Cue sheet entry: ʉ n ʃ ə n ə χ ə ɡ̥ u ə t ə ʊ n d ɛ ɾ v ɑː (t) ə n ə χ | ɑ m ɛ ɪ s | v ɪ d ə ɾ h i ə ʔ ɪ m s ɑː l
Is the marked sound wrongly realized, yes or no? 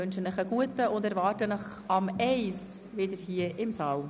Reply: no